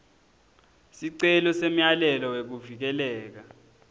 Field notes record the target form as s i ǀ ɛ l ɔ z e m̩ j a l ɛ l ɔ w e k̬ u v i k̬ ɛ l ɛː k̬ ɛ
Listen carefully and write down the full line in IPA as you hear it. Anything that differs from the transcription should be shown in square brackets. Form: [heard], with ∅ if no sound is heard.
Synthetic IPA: s i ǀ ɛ l ɔ [s] e m̩ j a l ɛ l ɔ w e k̬ u v i k̬ ɛ l ɛː k̬ [a]